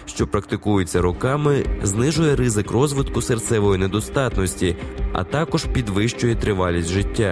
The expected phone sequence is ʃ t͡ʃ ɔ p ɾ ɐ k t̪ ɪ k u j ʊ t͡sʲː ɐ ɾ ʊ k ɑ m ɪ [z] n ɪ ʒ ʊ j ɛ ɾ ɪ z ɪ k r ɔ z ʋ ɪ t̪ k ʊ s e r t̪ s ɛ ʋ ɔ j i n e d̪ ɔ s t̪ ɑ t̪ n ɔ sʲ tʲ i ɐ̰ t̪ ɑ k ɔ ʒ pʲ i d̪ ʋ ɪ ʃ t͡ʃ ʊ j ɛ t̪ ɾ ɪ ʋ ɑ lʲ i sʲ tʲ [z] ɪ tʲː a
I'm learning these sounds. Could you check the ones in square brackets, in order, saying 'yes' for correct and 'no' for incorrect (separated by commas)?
yes, no